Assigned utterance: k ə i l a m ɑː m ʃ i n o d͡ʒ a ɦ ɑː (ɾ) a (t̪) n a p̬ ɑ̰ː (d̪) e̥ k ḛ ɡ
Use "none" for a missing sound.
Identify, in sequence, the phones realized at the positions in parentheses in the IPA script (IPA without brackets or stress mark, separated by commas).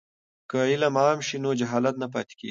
l, t̪, t̪